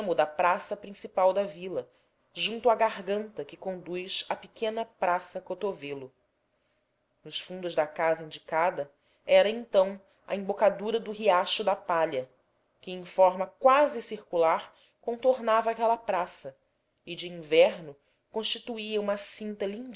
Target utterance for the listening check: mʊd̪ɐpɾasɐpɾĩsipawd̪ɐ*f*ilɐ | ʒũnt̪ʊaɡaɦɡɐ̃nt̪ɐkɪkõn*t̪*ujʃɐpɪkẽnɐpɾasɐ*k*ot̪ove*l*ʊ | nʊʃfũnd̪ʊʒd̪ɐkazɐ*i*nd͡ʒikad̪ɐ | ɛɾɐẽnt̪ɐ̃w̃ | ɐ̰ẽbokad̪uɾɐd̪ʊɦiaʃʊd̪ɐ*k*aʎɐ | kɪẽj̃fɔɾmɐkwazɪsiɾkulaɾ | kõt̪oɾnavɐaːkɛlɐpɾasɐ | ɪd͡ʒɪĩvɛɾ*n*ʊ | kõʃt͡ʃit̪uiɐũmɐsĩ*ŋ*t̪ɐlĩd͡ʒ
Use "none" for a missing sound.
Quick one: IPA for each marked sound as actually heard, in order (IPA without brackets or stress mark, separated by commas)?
v, d̪, k, l, ĩ, p, n, n